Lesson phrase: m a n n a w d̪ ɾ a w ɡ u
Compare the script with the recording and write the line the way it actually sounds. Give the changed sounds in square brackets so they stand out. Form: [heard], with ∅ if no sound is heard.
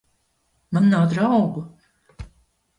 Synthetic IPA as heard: m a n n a w d̪ ɾ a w ɡ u